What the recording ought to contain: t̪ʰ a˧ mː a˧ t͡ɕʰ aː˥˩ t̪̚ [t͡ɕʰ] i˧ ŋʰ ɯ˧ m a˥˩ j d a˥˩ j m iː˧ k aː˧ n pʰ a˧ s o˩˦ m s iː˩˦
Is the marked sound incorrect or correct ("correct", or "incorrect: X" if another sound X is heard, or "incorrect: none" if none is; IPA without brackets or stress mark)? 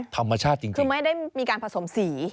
incorrect: t͡ɕ